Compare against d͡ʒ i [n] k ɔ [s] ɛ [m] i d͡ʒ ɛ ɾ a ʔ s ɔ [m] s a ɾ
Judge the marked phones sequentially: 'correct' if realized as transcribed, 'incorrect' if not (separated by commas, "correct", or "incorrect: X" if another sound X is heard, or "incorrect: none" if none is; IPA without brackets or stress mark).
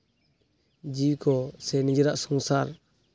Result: incorrect: none, correct, incorrect: n, incorrect: ŋ